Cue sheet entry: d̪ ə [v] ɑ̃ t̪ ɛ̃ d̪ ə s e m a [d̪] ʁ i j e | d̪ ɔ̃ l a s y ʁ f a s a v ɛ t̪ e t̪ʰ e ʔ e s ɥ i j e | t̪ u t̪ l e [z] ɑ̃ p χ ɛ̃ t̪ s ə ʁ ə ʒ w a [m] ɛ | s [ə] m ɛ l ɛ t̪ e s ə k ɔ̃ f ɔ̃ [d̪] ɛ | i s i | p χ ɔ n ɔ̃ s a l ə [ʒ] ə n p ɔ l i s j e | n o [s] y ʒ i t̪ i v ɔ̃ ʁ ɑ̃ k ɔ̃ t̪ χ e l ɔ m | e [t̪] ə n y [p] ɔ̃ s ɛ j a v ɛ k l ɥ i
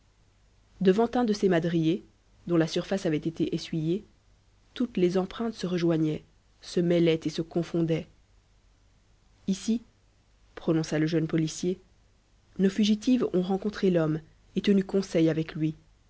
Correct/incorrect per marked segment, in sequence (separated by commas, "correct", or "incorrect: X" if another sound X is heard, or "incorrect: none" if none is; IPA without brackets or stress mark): correct, correct, correct, incorrect: ɲ, correct, correct, correct, incorrect: f, correct, incorrect: k